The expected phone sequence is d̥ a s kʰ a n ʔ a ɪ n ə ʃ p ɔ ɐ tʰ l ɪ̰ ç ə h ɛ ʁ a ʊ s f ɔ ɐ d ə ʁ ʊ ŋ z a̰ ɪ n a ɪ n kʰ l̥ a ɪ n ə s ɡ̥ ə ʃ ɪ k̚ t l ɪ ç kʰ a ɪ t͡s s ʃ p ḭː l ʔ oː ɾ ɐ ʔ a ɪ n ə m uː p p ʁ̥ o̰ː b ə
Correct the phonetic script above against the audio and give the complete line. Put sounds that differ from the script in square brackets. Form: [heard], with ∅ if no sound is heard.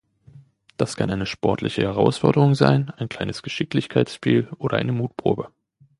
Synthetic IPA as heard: d̥ a s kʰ a n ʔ a ɪ n ə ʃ p ɔ ɐ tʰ l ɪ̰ ç ə h ɛ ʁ a ʊ s f ɔ ɐ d ə ʁ ʊ ŋ z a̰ ɪ n a ɪ n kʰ l̥ a ɪ n ə s ɡ̥ ə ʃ ɪ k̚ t l ɪ ç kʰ a ɪ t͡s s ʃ p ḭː l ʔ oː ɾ ɐ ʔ a ɪ n ə m uː [t] p ʁ̥ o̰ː b ə